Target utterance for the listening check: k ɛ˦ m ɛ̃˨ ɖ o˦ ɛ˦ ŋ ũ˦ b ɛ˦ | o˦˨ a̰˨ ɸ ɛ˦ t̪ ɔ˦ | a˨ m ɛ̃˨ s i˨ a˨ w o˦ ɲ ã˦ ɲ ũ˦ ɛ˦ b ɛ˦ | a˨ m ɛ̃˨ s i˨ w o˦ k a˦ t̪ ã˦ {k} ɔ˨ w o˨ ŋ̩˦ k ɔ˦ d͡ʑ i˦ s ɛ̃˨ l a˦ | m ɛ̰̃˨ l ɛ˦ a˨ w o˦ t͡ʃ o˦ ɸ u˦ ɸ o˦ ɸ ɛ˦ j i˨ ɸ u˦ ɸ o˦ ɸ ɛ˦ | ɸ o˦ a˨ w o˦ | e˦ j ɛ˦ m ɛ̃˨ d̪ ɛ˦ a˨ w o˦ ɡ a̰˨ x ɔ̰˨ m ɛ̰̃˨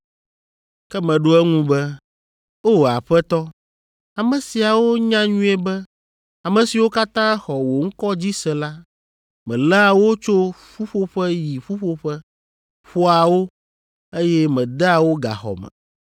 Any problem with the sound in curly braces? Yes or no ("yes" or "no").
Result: yes